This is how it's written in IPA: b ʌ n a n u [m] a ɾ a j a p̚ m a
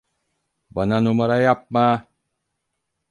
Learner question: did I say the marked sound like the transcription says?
yes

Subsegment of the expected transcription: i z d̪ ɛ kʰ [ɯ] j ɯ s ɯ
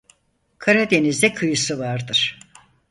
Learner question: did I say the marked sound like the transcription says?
yes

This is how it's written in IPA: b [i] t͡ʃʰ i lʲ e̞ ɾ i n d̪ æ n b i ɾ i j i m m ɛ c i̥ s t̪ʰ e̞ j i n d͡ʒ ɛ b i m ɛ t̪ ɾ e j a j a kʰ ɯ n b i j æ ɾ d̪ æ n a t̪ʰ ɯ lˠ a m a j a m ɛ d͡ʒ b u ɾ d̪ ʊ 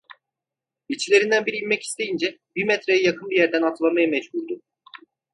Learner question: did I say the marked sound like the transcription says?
yes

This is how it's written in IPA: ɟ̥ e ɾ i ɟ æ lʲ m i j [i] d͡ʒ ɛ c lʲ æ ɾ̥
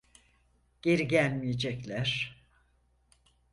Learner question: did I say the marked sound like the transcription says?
no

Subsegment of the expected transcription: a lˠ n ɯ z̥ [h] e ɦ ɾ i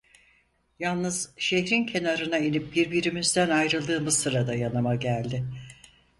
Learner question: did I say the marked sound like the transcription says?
no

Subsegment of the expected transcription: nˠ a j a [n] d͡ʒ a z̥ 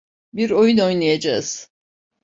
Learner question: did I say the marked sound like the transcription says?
no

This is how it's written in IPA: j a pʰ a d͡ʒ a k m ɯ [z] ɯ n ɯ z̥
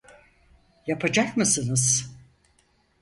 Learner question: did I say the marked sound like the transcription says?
no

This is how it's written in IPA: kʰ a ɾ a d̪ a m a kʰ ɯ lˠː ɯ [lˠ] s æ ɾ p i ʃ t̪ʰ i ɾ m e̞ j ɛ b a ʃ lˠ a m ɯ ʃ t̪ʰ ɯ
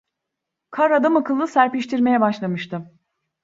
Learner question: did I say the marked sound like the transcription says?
no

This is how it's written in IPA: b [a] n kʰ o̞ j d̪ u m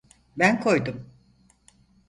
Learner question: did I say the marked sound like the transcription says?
no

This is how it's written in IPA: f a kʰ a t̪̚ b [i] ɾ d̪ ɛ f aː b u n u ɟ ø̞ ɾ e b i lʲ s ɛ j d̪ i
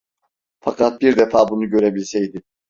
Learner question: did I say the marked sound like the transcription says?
yes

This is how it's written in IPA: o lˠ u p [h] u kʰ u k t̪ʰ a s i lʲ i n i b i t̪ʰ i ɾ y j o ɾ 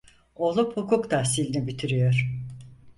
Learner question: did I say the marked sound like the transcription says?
yes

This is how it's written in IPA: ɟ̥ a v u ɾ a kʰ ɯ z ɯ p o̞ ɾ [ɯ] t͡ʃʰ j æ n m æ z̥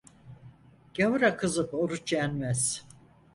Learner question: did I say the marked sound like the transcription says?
no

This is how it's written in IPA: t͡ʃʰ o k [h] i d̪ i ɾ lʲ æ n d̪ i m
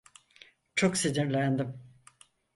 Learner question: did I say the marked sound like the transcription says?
no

